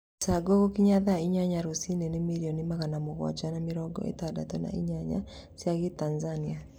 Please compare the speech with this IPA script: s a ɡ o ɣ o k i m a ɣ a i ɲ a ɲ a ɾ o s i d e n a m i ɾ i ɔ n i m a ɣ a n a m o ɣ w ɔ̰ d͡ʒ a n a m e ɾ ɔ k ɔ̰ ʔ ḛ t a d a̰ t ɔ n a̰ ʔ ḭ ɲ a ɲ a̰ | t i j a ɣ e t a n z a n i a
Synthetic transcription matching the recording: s a ɡ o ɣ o k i ɲ a ð a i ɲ a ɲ a ɾ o s i n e n e m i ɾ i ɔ n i m a ɣ a n a m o ɣ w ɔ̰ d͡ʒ a n a m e ɾ ɔ ɡ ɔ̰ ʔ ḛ t a d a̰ t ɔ n a̰ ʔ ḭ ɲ a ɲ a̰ | s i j a ɣ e t a n z a n i a